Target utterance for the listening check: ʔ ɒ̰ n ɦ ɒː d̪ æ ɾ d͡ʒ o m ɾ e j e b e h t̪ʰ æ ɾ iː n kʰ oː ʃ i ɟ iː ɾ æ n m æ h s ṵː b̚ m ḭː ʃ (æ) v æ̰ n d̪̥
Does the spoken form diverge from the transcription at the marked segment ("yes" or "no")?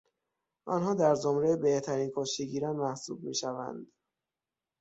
no